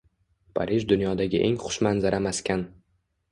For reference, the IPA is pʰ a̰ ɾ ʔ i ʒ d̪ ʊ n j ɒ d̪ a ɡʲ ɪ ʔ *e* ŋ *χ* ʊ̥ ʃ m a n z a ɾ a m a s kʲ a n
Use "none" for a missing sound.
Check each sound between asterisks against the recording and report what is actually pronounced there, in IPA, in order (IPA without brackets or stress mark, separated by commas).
e, χ